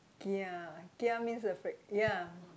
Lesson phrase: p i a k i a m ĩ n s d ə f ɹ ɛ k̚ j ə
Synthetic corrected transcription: k i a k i a m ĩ n s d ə f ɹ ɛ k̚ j a